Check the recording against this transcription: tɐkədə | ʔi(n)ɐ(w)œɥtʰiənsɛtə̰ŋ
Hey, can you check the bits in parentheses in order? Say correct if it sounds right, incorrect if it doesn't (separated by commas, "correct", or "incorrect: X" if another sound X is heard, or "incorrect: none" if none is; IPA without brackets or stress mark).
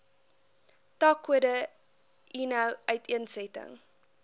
correct, correct